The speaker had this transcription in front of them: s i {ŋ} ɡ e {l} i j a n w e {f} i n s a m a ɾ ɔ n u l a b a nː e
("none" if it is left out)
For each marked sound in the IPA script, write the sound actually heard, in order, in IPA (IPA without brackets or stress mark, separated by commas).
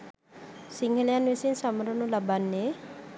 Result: ŋ, l, s